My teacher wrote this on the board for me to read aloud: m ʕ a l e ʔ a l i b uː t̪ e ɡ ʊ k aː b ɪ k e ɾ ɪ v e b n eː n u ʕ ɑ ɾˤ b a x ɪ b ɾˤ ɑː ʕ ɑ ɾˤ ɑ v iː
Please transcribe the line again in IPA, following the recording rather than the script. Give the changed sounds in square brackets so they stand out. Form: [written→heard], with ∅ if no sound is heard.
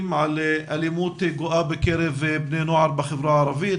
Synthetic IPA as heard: m ʕ a l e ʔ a l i [b→m] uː t̪ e ɡ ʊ [k→ʔ] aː b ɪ k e ɾ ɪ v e b n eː n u ʕ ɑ ɾˤ b a x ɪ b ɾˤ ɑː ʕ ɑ ɾˤ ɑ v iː